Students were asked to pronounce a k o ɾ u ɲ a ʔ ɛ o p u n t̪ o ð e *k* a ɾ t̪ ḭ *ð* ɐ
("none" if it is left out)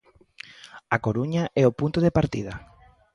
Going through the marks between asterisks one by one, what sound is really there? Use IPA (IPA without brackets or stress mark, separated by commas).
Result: p, ð